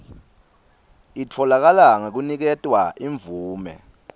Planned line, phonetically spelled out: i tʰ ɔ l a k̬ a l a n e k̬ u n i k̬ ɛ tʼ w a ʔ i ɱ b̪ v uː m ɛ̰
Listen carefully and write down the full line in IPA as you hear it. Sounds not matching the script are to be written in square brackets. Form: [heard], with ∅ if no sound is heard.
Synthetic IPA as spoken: i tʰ ɔ l a k̬ a l a [ŋ] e k̬ u n i k̬ ɛ tʼ w a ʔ i ɱ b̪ v uː m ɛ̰